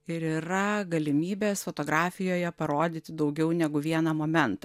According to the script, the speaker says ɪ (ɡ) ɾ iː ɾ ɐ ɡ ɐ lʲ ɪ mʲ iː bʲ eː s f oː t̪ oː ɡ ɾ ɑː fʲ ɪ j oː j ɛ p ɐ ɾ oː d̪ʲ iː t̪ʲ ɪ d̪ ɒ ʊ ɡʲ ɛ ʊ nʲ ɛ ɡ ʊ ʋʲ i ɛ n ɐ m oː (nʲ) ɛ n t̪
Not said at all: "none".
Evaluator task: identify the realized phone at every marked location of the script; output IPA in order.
none, mʲ

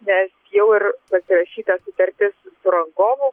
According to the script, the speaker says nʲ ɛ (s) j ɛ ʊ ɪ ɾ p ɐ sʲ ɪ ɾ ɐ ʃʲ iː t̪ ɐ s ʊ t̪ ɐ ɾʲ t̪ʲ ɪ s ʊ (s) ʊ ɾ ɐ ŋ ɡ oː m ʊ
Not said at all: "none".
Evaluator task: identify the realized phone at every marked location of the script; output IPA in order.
s, s

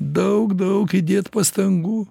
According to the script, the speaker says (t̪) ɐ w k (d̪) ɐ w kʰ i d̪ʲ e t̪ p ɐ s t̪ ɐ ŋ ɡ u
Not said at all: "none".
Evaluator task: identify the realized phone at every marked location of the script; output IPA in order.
d̪, d̪

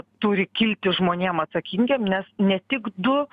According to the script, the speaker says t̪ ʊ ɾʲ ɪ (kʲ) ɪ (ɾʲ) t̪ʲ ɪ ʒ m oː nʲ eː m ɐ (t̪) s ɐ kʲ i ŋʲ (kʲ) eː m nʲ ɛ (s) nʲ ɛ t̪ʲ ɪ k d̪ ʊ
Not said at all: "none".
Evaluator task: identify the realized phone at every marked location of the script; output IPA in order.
kʲ, lʲ, t̪, ɡʲ, s

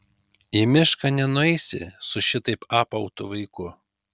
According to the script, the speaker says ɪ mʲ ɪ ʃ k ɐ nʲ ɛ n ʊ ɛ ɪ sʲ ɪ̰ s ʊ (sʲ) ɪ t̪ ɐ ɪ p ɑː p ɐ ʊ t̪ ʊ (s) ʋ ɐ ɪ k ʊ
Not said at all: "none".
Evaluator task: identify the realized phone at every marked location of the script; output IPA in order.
ʃʲ, none

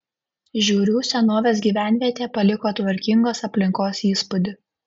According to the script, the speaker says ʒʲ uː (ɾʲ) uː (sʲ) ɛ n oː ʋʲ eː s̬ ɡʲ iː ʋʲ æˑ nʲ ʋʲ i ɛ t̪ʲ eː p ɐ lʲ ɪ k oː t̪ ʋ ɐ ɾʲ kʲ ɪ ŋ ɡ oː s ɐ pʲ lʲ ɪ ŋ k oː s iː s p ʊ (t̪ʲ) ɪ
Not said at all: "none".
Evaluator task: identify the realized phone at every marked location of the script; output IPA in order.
ɾʲ, sʲ, d̪ʲ

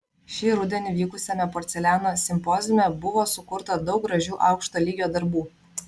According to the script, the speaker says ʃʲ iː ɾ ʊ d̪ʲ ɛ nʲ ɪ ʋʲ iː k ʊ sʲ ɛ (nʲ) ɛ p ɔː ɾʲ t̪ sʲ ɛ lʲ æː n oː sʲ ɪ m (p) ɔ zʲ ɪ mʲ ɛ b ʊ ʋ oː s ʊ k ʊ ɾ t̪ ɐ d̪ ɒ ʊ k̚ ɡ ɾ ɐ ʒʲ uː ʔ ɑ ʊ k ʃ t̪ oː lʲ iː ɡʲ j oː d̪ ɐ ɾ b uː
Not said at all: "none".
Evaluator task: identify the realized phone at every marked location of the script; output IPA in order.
mʲ, p

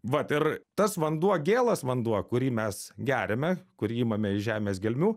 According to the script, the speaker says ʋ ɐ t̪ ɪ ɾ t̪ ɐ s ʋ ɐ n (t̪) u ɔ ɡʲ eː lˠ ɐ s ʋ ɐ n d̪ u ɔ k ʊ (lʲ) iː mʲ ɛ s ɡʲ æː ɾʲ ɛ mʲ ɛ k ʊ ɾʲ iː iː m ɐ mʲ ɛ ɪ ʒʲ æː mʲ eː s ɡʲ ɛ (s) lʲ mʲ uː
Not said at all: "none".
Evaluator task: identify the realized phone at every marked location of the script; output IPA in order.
d̪, ɾʲ, none

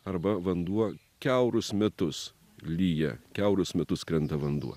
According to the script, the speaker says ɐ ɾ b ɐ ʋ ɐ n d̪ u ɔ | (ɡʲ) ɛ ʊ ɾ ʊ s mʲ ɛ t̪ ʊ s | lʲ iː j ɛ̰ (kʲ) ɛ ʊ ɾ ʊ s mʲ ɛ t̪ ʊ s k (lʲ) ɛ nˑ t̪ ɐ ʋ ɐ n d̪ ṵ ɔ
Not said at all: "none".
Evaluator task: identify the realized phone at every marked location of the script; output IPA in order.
kʲ, kʲ, ɾʲ

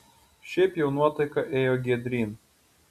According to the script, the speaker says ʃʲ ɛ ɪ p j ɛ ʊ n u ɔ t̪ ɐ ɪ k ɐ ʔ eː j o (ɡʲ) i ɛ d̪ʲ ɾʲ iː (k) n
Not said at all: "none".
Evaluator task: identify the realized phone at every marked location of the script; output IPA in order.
ɡʲ, none

